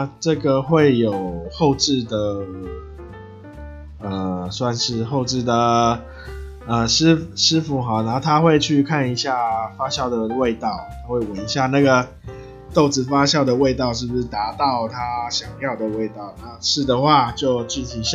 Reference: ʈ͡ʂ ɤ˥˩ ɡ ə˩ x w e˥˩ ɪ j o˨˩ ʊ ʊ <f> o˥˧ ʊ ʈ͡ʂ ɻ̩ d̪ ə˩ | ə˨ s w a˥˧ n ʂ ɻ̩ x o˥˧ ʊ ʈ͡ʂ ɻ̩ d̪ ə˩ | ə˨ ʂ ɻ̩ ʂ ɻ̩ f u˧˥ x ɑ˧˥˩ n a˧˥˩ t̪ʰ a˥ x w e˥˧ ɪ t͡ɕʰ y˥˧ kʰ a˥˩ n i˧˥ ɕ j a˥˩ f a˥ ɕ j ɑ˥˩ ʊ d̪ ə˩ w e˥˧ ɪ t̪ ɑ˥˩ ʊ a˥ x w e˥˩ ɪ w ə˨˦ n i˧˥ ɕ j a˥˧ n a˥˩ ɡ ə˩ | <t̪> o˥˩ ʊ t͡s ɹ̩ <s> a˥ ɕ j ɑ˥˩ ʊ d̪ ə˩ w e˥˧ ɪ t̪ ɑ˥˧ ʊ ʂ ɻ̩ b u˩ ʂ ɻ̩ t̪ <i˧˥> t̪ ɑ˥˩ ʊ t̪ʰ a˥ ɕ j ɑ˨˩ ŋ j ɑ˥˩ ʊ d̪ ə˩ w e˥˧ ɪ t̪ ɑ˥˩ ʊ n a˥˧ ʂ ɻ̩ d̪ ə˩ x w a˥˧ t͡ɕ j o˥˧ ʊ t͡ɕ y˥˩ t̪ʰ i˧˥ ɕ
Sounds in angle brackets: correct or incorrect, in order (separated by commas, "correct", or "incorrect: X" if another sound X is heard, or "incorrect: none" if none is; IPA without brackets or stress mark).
incorrect: x, correct, incorrect: f, incorrect: a˧˥